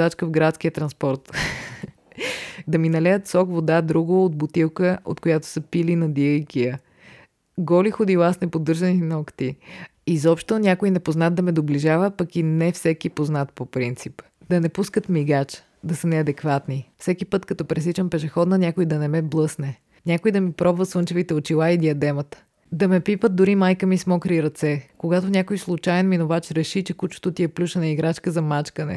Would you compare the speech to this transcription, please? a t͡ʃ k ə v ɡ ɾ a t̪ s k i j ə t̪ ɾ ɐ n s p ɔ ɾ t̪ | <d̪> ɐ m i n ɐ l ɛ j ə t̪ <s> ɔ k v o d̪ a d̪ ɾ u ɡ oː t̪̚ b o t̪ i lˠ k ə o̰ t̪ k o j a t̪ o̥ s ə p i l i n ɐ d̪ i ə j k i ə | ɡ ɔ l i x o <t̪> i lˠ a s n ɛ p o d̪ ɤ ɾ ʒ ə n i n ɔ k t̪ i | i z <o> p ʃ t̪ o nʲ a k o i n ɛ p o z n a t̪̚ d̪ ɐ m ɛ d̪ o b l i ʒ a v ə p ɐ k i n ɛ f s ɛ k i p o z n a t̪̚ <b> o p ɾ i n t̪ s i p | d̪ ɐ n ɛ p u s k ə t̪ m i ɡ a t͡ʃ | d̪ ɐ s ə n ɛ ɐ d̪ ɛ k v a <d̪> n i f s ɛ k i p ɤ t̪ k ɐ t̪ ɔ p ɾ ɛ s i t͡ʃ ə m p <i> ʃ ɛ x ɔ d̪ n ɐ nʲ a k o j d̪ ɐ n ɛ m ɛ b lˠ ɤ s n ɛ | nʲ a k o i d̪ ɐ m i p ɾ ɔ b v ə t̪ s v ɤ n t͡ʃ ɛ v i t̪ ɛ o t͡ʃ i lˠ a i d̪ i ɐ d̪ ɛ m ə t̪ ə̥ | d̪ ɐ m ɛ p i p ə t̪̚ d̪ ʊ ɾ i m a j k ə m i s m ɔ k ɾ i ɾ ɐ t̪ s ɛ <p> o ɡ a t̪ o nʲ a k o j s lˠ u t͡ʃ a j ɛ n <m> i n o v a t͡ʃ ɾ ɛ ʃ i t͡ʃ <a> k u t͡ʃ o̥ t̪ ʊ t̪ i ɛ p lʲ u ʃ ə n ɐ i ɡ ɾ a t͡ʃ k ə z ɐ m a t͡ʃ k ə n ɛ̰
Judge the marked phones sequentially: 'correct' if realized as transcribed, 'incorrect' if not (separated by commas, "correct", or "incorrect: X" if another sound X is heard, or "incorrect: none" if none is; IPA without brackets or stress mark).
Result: correct, correct, incorrect: d̪, incorrect: ɔ, incorrect: p, incorrect: t̪, incorrect: ɛ, incorrect: k, correct, incorrect: ɛ